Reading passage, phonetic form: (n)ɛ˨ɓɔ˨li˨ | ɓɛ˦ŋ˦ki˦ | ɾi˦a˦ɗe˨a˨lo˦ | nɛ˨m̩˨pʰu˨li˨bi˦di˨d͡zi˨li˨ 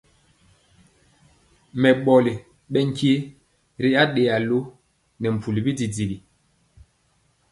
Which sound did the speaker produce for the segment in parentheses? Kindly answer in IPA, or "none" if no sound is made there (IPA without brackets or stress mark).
m